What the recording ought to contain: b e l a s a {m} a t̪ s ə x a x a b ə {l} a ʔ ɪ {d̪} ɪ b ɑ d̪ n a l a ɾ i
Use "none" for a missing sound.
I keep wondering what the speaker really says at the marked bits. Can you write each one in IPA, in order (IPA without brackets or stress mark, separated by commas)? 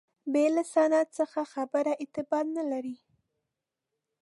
n, ɾ, t̪